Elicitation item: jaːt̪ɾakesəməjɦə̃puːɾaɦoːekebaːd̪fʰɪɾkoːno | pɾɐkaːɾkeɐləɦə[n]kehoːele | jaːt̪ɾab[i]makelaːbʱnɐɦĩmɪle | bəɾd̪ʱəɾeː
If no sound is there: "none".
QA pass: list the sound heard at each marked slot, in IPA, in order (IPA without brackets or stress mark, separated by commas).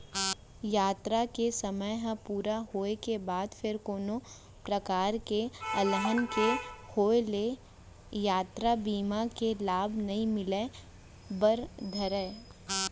n, iː